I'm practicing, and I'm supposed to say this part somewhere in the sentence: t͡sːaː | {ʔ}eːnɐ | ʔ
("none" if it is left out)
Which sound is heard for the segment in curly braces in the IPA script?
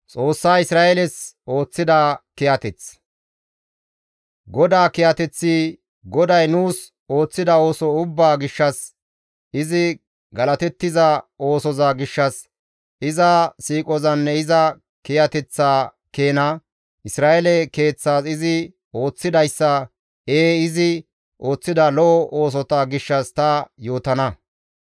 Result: k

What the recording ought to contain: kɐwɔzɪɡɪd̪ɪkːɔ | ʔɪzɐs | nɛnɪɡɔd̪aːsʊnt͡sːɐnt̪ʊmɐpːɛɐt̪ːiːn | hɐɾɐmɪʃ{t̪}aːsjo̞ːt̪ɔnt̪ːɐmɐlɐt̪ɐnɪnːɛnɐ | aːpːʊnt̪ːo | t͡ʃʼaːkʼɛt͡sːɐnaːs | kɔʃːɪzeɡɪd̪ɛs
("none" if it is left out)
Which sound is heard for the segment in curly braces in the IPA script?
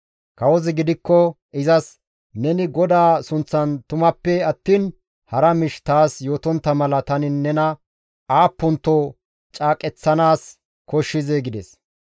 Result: t̪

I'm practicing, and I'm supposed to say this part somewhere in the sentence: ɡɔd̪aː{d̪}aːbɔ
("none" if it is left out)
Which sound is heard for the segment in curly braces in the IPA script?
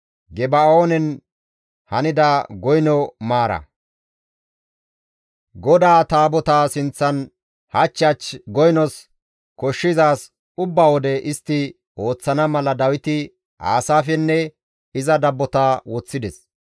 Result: t̪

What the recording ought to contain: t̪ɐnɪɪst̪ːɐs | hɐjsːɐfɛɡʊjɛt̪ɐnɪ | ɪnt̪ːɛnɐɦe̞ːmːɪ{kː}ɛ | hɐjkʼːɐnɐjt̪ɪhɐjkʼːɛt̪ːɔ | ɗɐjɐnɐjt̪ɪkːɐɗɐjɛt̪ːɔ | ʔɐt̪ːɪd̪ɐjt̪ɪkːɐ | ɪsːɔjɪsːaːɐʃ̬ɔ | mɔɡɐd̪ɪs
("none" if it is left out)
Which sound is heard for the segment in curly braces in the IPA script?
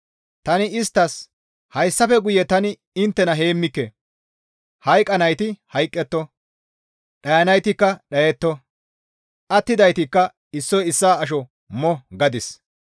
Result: kː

